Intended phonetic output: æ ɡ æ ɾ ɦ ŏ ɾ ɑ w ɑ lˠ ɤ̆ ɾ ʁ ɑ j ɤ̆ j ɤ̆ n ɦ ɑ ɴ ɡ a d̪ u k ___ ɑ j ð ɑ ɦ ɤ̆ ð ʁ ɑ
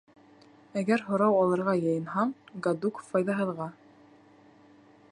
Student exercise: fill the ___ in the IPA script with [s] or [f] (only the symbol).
f